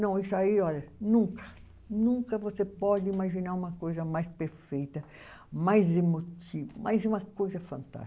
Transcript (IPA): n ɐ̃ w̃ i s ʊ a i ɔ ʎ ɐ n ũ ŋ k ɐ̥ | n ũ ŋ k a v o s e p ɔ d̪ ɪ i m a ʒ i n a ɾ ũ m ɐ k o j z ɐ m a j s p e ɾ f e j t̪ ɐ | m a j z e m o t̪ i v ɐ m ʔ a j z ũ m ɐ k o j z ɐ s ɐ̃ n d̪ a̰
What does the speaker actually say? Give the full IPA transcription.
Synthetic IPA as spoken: n ɐ̃ w̃ i s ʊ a i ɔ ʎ ɐ n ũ ŋ k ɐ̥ | n ũ ŋ k ɐ v o s e p ɔ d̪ ɪ i m a ʒ i n a ɾ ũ m ɐ k o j z ɐ m a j s p e ɾ f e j t̪ ɐ | m a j z e m o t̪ i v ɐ m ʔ a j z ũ m ɐ k o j z ɐ f ɐ̃ n t̪ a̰